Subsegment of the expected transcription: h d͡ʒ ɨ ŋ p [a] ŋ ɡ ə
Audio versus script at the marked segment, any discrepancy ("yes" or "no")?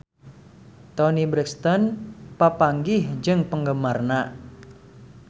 yes